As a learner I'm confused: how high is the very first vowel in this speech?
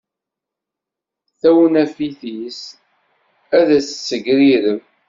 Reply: low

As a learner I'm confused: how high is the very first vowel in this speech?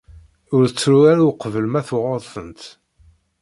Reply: high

